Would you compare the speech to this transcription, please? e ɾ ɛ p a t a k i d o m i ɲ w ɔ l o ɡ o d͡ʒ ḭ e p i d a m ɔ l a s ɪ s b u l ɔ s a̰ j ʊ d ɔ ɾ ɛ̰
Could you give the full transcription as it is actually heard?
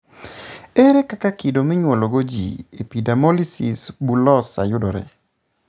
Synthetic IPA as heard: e ɾ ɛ k a k a k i d o m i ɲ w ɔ l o ɡ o d͡ʒ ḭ e p i d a m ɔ l i s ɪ s b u l ɔ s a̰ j ʊ d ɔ ɾ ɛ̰